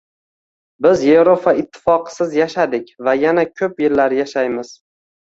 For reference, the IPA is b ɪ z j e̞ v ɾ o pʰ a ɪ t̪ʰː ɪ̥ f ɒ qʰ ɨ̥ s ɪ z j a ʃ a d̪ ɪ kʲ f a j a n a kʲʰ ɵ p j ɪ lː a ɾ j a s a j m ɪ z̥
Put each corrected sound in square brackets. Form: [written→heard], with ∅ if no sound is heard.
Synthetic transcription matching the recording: b ɪ z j e̞ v ɾ o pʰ a ɪ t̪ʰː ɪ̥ f ɒ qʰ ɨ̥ s ɪ z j a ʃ a d̪ ɪ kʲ [f→v] a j a n a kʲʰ ɵ p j ɪ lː a ɾ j a [s→ʃ] a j m ɪ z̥